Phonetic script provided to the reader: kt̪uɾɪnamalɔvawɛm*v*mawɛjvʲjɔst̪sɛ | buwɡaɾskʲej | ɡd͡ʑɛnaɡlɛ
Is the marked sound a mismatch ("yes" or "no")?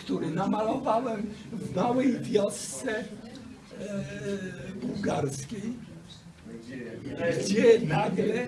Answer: no